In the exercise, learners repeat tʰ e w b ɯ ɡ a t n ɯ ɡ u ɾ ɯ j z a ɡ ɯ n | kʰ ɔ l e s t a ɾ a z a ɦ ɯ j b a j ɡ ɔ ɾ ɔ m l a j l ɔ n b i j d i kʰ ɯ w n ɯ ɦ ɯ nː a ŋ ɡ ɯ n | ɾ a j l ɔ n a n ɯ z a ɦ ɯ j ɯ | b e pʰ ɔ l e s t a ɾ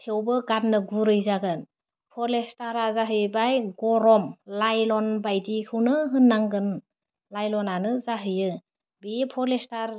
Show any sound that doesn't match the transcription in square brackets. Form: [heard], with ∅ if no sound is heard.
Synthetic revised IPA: tʰ e w b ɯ ɡ a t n ɯ ɡ u ɾ ɯ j z a ɡ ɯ n | [pʰ] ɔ l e s t a ɾ a z a ɦ ɯ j b a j ɡ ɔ ɾ ɔ m l a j l ɔ n b [a] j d i kʰ ɯ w n ɯ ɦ ɯ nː a ŋ ɡ ɯ n | [l] a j l ɔ n a n ɯ z a ɦ ɯ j ɯ | b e pʰ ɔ l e s t a ɾ